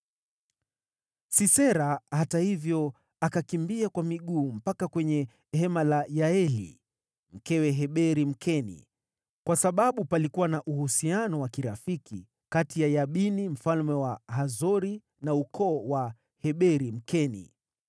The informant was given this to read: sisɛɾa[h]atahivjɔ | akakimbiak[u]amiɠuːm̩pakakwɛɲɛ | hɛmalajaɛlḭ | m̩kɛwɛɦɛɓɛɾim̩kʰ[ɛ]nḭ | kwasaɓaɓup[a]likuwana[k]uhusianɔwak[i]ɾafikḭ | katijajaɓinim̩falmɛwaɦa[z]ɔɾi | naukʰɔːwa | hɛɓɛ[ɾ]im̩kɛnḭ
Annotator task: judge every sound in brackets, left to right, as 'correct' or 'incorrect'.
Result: correct, incorrect: w, correct, correct, incorrect: ʔ, correct, correct, correct

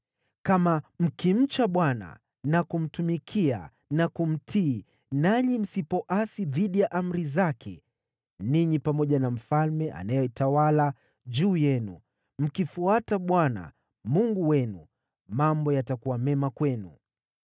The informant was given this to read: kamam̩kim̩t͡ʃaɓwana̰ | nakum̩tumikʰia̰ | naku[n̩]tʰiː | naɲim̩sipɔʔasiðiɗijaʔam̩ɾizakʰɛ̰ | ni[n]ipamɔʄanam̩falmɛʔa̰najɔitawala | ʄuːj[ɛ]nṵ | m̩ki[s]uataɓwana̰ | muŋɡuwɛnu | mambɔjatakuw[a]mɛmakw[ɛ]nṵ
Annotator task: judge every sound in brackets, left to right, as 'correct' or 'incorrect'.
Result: incorrect: m̩, incorrect: ɲ, correct, incorrect: f, correct, correct

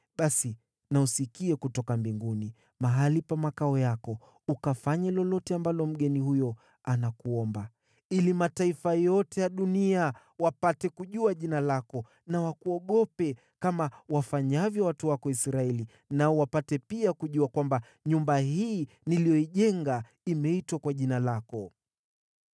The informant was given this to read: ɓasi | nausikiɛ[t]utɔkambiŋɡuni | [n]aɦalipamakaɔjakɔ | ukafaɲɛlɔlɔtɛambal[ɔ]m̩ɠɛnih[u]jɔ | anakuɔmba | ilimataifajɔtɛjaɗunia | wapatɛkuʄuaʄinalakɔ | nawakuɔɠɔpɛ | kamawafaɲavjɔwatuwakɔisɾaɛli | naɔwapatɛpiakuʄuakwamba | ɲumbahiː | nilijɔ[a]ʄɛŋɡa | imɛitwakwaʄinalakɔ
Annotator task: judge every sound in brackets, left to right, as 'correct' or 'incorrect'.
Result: incorrect: k, incorrect: m, correct, correct, incorrect: i

